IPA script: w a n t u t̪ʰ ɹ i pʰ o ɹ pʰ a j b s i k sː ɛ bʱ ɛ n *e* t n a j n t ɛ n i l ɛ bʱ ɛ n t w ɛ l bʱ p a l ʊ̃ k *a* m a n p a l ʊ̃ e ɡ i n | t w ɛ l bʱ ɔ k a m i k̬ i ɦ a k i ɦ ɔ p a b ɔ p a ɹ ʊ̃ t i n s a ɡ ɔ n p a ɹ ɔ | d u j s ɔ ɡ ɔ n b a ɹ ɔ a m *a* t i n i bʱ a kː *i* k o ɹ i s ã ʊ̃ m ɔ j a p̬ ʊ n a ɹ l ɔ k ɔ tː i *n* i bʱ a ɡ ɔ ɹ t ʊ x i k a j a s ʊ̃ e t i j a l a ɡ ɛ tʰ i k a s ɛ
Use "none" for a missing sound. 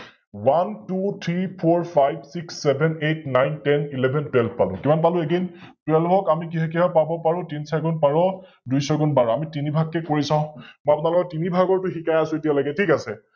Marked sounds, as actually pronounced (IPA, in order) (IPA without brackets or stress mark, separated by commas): e, i, i, ɛ, n